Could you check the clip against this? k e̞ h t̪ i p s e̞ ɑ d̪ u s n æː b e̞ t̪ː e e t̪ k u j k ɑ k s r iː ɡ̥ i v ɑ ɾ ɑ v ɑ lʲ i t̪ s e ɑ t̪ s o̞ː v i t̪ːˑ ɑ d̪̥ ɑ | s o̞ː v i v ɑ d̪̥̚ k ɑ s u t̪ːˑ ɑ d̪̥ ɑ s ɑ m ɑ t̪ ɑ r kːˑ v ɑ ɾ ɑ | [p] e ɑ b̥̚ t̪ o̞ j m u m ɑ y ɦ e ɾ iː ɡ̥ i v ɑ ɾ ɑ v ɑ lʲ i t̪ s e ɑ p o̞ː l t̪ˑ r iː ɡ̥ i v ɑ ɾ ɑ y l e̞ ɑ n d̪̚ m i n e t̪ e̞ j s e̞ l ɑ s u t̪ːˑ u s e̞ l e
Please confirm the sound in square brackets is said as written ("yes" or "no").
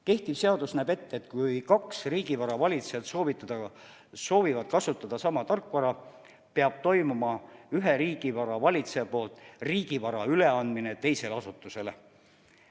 yes